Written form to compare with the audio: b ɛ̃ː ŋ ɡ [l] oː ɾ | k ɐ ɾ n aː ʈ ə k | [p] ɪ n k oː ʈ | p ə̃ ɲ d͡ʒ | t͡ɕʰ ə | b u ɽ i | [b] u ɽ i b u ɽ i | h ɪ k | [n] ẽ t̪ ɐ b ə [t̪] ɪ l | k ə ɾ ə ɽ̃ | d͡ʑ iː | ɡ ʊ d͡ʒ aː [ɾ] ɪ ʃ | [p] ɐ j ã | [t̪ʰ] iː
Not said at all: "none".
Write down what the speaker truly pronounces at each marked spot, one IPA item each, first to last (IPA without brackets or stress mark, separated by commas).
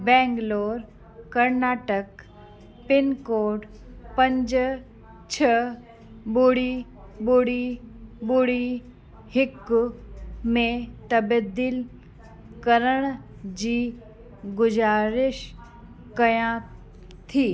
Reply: l, p, b, m, d̪, ɾ, k, t̪ʰ